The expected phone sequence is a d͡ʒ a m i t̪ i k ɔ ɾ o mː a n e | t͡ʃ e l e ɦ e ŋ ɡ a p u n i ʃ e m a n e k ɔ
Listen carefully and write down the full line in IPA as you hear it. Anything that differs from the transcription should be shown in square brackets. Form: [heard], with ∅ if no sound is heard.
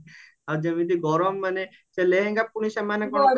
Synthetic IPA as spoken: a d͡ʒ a m i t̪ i [ɡ] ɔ ɾ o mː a n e | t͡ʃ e l e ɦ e ŋ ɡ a p u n i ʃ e m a n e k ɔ